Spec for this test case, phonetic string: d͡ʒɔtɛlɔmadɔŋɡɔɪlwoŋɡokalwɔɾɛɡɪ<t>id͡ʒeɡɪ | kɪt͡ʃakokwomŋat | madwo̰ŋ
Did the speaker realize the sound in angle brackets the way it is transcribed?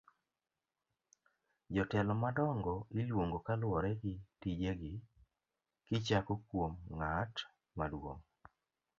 yes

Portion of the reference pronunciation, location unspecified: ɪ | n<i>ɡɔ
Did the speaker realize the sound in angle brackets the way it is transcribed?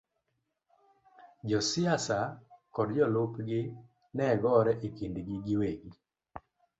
no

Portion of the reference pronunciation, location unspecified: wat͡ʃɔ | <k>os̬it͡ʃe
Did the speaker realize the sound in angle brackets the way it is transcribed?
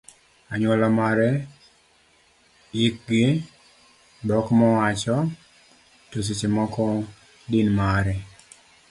no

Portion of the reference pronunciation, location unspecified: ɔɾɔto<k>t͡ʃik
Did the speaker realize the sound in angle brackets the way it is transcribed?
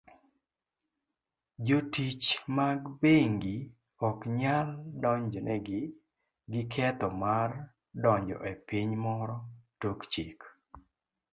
yes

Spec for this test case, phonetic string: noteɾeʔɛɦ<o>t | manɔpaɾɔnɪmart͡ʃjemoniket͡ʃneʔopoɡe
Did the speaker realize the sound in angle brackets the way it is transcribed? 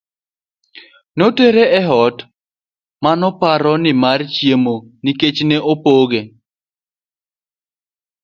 no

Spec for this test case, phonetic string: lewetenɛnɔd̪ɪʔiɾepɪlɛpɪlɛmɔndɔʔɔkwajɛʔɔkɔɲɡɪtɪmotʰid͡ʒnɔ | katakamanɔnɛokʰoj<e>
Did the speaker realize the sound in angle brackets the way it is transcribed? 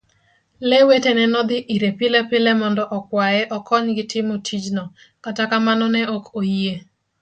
yes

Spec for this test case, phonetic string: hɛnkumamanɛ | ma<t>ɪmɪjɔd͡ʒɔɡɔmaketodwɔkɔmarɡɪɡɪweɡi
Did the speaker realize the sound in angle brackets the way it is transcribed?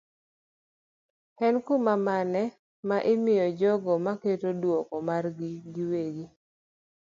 no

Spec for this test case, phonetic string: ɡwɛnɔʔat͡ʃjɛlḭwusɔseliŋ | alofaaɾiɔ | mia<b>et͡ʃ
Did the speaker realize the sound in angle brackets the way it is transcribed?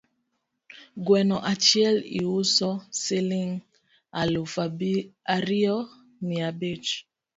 yes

